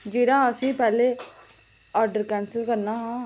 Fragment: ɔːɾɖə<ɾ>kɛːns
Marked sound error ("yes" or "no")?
no